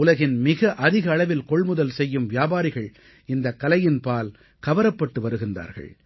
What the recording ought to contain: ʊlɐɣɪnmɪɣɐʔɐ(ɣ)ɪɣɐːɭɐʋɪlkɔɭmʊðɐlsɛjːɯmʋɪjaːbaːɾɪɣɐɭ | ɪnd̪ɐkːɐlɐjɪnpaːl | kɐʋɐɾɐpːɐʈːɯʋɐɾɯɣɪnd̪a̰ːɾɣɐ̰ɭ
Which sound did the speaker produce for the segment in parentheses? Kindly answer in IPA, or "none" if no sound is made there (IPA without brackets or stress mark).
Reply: ð